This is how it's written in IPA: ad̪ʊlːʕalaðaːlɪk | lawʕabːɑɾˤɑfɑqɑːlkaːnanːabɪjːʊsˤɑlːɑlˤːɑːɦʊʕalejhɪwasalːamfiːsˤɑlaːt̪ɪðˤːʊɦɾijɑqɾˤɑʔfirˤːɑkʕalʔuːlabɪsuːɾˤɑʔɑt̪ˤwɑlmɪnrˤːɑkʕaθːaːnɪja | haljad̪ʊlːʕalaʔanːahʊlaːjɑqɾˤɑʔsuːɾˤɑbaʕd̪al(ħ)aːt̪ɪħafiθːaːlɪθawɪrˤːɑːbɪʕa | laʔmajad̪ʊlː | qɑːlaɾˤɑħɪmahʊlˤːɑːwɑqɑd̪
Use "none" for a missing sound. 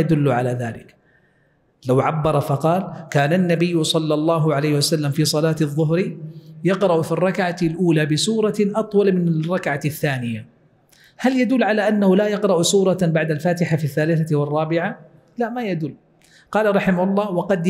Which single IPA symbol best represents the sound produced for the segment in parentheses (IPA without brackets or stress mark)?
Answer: f